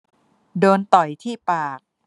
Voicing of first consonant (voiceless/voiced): voiced